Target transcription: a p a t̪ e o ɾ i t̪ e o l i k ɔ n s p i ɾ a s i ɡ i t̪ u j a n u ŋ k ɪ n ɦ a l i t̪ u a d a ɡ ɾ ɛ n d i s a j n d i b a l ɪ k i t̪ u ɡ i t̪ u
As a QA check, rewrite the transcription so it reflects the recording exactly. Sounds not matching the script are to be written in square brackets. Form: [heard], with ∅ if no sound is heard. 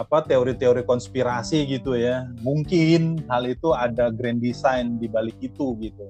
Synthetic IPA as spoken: a p a t̪ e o ɾ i t̪ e o [ɾ] i k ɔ n s p i ɾ a s i ɡ i t̪ u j a [m] u ŋ k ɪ n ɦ a l i t̪ u a d a ɡ ɾ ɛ n d i s a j n d i b a l ɪ k i t̪ u ɡ i t̪ u